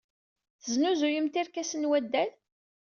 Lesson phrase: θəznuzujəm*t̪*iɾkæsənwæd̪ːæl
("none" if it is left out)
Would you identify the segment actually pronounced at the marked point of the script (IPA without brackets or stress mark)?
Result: t̪